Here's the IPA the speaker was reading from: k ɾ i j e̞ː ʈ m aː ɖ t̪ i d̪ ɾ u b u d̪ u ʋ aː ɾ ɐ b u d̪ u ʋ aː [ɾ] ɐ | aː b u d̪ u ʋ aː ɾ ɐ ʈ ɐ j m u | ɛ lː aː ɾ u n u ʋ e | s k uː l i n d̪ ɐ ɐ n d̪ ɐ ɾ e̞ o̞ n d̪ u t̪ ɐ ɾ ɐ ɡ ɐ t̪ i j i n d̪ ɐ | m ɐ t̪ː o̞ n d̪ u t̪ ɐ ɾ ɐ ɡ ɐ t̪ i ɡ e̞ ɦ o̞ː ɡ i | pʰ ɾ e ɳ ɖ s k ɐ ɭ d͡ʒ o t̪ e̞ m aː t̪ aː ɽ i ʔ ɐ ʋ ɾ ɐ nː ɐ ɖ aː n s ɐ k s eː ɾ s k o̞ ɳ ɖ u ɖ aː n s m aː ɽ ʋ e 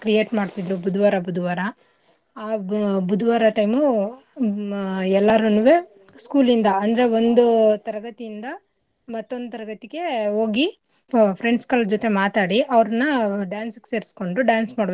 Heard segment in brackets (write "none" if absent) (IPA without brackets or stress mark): ɾ